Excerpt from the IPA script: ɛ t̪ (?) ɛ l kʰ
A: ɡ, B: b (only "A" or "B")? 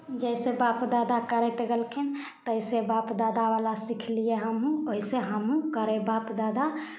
A